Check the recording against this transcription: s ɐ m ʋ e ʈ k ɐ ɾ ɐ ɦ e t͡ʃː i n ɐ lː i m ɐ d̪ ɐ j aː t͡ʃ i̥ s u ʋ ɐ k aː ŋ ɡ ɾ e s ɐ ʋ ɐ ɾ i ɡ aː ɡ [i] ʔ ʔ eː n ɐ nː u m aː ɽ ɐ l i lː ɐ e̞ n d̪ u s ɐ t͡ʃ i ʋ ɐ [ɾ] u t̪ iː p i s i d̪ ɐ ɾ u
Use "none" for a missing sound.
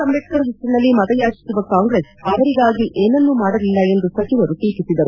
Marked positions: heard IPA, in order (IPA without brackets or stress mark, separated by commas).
i, ɾ